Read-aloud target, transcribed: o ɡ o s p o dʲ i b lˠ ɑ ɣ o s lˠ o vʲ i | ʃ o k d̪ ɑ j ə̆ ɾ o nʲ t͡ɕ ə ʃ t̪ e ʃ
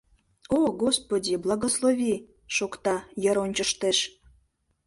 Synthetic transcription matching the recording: o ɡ o s p o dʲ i b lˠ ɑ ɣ o s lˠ o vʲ i | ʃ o k t̪ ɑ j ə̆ ɾ o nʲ t͡ɕ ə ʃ t̪ e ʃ

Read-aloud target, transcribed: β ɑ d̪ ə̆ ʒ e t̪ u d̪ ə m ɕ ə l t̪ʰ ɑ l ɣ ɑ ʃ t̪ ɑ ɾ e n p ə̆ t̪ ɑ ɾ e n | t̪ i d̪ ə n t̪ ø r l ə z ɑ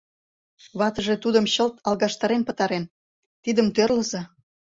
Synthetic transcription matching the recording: β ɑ t̪ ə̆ ʒ e t̪ u d̪ ə m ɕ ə l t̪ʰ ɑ l ɣ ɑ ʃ t̪ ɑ ɾ e n p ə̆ t̪ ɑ ɾ e n | t̪ i d̪ ə m t̪ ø r l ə z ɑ

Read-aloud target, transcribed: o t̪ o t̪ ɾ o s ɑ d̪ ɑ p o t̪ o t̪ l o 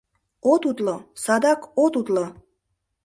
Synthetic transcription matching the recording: o t̪ u t̪ l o s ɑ d̪ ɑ k o t̪ u t̪ l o

